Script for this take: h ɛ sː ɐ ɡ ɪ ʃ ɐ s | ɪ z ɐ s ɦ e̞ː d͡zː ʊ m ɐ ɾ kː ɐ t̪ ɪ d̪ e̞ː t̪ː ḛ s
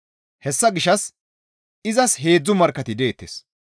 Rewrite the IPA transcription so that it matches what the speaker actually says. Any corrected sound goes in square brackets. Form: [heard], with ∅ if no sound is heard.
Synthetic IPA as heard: h ɛ sː ɐ ɡ ɪ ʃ ɐ s | ɪ z ɐ s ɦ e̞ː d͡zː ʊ m ɐ ɾ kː ɐ t̪ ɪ d̪ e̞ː t̪ː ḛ s